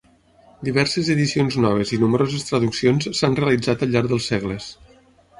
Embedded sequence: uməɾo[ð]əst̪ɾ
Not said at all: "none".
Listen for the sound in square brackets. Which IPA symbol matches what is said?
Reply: z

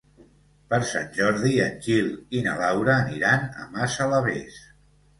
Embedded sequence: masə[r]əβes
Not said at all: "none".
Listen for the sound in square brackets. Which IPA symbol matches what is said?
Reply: l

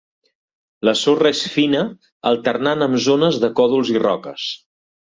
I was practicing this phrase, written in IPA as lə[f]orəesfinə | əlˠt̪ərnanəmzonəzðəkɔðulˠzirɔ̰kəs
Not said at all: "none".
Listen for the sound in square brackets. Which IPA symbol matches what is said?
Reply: s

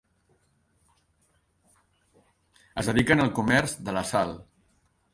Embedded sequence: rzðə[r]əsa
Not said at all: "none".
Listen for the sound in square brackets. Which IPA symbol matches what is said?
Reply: l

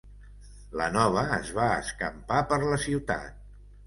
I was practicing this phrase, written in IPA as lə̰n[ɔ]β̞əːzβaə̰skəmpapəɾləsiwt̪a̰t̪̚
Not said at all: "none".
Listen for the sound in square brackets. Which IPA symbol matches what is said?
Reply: ɔ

